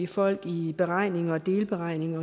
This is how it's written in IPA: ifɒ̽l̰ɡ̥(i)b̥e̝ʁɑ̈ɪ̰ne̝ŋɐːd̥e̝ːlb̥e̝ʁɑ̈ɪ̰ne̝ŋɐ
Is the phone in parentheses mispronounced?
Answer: no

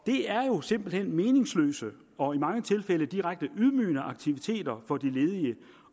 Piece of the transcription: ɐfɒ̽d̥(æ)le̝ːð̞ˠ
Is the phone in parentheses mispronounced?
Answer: yes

